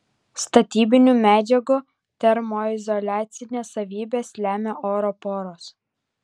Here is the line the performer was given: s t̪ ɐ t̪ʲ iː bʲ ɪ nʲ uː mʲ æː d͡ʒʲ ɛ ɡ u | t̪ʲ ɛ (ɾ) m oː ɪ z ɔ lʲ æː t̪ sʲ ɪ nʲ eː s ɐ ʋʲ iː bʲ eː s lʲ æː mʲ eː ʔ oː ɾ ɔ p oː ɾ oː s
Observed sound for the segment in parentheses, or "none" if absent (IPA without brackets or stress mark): ɾ